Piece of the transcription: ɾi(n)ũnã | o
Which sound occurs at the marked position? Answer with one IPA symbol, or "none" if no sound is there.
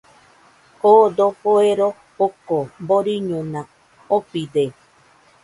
ɲ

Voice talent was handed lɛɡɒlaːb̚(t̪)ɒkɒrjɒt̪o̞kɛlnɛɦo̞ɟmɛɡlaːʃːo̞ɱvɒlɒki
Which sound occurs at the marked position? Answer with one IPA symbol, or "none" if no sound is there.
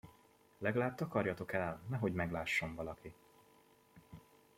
t̪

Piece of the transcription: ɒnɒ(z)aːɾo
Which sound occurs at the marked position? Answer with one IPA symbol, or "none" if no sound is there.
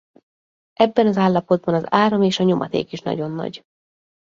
z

